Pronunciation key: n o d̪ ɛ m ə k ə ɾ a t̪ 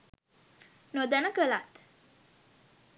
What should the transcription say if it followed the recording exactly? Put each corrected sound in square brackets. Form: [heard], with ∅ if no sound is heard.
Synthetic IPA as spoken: n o d̪ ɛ [n] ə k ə [l] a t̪